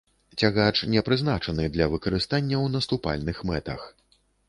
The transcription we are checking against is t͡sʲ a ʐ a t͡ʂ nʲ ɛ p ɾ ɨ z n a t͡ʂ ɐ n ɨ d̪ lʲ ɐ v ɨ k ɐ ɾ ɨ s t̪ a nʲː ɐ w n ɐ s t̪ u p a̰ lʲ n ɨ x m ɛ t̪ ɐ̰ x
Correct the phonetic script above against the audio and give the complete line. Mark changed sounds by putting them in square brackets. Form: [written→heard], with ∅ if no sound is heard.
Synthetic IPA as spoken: t͡sʲ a [ʐ→ɣ] a t͡ʂ nʲ ɛ p ɾ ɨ z n a t͡ʂ ɐ n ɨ d̪ lʲ ɐ v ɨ k ɐ ɾ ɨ s t̪ a nʲː ɐ w n ɐ s t̪ u p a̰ lʲ n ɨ x m ɛ t̪ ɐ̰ x